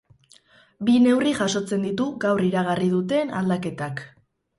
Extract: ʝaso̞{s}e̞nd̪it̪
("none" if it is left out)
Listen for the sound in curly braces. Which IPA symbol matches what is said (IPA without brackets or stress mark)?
t͡s